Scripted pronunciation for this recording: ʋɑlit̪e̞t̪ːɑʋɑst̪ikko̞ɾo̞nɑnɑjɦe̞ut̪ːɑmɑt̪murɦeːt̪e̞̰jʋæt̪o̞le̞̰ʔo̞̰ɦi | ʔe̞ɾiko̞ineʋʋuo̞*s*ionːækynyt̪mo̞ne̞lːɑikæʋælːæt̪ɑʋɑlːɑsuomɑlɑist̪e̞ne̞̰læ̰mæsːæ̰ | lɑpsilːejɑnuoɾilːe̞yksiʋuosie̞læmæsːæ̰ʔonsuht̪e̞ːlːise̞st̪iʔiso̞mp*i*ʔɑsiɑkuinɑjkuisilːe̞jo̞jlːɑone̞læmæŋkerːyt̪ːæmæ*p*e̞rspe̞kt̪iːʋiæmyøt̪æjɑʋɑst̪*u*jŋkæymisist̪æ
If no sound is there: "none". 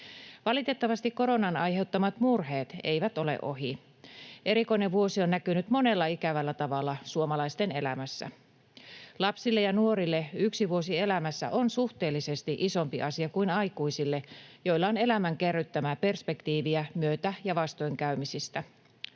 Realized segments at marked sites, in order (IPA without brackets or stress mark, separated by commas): s, i, p, o